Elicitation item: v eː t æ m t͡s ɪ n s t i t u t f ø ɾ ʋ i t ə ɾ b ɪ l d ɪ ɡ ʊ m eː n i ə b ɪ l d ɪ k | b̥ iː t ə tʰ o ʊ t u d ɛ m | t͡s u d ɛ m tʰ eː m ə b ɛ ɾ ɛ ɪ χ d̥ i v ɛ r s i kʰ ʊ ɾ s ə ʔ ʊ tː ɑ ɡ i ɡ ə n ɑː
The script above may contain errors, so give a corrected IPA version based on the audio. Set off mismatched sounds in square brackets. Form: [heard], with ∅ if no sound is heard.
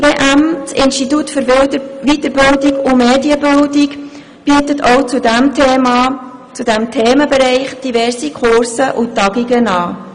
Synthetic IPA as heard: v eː [ʔ] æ m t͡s ɪ n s t i t u t f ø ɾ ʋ i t ə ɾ b ɪ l d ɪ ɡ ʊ m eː [d] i ə b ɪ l d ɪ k | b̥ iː t ə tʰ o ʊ [t͡s] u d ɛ m | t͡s u d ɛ m tʰ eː m ə b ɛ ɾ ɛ ɪ χ d̥ i v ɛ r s i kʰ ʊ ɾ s ə ʔ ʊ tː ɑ ɡ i ɡ ə n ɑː